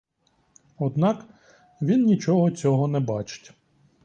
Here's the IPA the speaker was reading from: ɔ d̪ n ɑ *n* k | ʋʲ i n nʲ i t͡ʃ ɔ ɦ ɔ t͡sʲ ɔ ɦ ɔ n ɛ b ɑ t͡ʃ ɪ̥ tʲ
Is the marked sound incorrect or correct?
incorrect